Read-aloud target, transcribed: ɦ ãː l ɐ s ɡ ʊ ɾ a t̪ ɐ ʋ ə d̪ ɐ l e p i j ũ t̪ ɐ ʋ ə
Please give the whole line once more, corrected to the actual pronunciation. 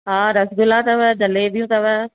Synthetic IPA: ɦ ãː ɾ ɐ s ɡ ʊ l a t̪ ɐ ʋ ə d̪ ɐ l e b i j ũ t̪ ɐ ʋ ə